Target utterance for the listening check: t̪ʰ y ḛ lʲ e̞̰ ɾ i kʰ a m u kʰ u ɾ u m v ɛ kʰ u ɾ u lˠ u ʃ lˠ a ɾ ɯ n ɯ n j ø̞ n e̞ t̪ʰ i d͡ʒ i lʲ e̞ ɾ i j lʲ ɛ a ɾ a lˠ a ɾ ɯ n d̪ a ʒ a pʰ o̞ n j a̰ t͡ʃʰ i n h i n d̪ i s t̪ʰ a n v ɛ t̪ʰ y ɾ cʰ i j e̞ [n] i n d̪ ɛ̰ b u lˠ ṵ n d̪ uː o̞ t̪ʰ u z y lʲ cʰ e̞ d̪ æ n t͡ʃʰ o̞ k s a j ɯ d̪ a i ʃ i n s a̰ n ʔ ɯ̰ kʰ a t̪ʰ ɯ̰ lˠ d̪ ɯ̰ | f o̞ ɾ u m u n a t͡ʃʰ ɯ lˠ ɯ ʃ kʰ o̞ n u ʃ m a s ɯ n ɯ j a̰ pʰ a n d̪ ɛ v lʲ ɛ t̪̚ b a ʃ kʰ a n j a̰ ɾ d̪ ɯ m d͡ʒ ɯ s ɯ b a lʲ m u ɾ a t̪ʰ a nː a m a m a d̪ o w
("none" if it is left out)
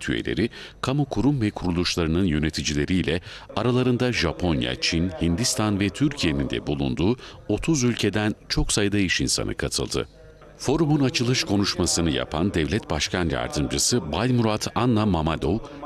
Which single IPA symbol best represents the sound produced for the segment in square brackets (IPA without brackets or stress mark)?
n